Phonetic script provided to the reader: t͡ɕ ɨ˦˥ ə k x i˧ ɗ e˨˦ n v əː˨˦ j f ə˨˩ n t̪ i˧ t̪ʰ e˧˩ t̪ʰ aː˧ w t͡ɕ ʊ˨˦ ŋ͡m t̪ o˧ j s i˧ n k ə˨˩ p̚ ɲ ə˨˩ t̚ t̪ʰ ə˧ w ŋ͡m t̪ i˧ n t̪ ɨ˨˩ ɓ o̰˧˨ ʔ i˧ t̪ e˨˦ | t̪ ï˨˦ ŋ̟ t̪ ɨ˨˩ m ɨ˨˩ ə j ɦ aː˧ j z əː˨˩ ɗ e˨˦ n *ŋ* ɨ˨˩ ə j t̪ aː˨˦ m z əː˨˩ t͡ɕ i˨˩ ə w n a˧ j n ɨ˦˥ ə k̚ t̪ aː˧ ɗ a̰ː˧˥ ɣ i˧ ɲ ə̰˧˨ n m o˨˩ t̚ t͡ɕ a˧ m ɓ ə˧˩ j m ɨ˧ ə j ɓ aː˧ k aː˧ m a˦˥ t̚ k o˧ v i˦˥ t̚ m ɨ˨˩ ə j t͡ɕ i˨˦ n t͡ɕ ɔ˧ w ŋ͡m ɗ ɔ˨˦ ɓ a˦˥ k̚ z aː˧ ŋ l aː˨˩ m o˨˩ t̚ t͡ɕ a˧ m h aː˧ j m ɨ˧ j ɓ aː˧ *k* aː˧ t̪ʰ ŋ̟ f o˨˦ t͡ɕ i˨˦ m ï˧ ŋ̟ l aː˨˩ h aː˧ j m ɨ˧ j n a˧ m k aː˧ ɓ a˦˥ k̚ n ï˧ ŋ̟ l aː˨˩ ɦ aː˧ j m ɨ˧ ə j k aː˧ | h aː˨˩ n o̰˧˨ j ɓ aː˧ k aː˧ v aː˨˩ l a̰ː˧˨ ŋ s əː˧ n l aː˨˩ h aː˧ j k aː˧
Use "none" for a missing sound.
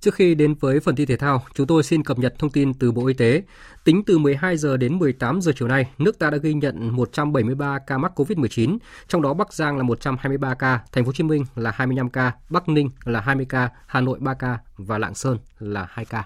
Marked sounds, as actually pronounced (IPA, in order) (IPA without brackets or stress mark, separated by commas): m, k